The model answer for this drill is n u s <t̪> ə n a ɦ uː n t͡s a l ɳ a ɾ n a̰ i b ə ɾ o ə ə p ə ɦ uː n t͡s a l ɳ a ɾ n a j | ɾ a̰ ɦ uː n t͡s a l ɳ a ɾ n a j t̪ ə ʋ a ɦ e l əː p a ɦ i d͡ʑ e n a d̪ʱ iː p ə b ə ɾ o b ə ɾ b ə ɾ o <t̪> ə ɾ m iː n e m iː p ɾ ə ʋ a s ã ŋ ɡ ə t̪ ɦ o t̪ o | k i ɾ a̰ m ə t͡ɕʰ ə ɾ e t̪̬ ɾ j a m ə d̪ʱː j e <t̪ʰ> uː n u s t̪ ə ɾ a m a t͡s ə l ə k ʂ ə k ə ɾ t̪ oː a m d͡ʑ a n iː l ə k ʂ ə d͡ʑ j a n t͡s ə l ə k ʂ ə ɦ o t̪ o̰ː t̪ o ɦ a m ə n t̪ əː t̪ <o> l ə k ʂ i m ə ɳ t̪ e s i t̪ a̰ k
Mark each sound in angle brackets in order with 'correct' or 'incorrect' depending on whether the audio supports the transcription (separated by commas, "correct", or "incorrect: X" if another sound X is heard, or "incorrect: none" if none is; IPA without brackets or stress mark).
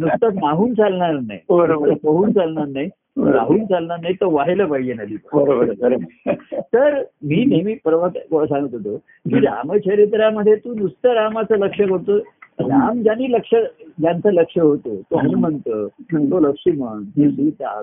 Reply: correct, correct, incorrect: t̪, correct